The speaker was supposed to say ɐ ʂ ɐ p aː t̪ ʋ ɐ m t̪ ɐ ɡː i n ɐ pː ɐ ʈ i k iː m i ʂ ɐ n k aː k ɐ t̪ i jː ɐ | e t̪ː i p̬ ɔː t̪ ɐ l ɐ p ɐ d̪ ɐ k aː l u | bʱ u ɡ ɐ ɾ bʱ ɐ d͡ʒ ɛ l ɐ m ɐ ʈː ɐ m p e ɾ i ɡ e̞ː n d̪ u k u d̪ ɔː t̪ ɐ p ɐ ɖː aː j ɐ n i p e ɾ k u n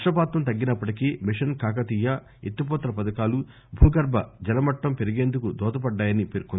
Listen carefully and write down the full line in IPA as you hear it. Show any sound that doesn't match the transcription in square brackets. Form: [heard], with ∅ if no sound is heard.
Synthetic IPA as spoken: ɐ ʂ ɐ p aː t̪ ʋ ɐ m t̪ ɐ ɡː i n ɐ pː ɐ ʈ i k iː m i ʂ ɐ n k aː k ɐ t̪ i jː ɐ | e t̪ː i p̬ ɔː t̪ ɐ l ɐ p ɐ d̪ ɐ k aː l u | bʱ [uː] ɡ ɐ ɾ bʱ ɐ d͡ʒ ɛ l ɐ m ɐ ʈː ɐ m p e ɾ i ɡ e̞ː n d̪ u k u d̪ ɔː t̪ ɐ p ɐ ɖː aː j ɐ n i p e ɾ k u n